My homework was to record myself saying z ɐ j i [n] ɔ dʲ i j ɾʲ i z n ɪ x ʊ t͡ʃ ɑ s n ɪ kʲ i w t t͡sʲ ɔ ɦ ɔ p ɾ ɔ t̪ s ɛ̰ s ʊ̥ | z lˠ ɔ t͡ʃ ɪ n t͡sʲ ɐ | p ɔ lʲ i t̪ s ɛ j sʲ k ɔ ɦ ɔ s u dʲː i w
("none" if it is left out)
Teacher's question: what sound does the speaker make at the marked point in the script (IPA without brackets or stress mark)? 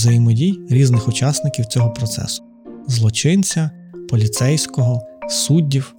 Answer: m